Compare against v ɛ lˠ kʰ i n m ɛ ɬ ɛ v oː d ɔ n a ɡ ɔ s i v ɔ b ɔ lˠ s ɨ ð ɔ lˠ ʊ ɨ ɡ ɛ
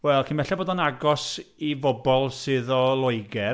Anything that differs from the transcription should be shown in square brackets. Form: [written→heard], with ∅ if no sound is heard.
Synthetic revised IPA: [v→w] ɛ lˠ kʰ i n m ɛ ɬ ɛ [v→b] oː d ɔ n a ɡ ɔ s i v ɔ b ɔ lˠ s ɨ ð ɔ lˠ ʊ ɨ ɡ ɛ